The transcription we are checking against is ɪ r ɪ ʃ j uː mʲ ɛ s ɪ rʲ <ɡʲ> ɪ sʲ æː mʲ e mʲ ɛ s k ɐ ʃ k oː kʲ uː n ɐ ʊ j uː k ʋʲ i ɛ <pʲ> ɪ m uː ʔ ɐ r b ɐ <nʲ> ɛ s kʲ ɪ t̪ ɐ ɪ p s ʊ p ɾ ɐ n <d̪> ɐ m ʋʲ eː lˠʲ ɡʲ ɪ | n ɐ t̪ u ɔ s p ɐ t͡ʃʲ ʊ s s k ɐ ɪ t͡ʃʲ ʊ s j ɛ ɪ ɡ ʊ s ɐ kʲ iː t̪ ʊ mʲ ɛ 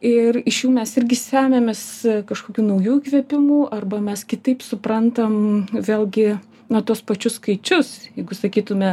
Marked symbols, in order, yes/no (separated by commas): yes, yes, no, no